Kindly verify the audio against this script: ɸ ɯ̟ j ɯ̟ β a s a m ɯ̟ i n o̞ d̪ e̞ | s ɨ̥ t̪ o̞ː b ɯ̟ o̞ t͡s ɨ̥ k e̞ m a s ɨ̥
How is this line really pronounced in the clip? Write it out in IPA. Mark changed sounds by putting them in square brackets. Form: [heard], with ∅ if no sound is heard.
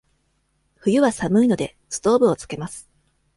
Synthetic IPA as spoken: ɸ ɯ̟ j ɯ̟ β a s a m ɯ̟ i n o̞ d̪ e̞ | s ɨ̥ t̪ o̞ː b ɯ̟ o̞ t͡s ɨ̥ k e̞ m a s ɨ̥